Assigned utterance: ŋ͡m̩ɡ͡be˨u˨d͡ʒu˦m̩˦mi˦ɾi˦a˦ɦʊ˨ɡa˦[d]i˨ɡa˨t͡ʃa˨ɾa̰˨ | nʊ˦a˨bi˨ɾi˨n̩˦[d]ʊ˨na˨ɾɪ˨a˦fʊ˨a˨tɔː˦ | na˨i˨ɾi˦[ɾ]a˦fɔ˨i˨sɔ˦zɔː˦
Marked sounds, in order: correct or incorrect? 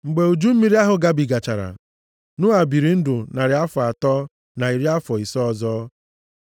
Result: incorrect: b, correct, incorrect: none

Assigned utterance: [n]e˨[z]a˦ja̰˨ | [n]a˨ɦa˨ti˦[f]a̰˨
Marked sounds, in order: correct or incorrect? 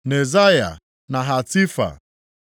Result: correct, correct, correct, correct

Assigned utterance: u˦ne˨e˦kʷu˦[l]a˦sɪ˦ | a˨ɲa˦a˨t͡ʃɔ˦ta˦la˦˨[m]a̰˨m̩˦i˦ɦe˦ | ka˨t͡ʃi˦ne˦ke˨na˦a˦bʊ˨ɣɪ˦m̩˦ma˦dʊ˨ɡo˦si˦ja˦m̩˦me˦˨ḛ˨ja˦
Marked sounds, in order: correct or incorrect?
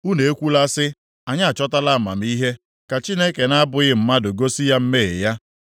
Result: correct, correct

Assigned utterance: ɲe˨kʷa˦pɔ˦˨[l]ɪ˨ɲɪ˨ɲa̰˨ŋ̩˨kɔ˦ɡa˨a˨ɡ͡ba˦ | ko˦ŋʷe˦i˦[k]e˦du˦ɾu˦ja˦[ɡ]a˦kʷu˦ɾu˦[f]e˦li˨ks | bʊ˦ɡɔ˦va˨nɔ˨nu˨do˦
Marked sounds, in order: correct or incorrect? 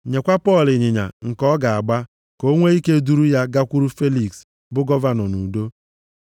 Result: correct, correct, correct, correct

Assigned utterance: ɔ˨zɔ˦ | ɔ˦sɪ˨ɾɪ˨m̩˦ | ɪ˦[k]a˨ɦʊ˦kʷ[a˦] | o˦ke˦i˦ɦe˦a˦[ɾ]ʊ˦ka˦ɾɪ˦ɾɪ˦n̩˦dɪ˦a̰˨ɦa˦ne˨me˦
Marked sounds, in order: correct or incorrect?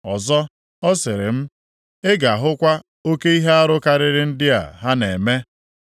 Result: incorrect: ɡ, correct, correct

